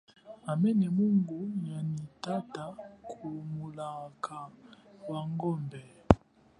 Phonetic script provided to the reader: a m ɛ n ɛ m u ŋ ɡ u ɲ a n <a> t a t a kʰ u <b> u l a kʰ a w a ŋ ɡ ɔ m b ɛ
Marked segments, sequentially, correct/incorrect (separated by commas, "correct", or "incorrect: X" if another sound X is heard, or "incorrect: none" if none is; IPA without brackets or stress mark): incorrect: i, incorrect: m